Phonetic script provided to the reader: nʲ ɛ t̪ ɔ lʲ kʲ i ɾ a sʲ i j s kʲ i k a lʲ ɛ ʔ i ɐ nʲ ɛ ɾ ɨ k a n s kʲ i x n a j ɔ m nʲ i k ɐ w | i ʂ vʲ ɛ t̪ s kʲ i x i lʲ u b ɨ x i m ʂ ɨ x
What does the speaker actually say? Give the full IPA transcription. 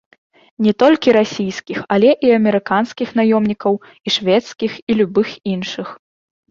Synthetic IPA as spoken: nʲ ɛ t̪ ɔ lʲ kʲ i ɾ a sʲ i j s kʲ i x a lʲ ɛ ʔ i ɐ mʲ ɛ ɾ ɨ k a n s kʲ i x n a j ɔ m nʲ i k ɐ w | i ʂ vʲ ɛ t̪ s kʲ i x i lʲ u b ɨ x i n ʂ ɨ x